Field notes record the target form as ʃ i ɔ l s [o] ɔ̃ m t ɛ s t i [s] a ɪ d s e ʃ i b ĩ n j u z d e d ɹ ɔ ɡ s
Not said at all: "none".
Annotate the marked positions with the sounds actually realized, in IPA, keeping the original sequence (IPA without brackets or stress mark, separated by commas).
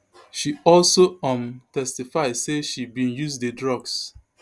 o, f